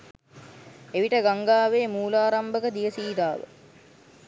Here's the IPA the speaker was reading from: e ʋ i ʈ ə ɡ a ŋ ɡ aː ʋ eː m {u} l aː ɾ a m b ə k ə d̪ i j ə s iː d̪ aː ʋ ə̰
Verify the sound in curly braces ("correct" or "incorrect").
incorrect